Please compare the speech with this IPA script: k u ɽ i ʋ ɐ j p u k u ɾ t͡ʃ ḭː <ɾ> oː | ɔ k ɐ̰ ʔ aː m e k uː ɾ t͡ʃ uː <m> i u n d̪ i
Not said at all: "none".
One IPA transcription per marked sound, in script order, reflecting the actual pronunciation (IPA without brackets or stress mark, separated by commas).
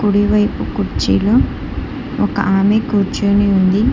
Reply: l, n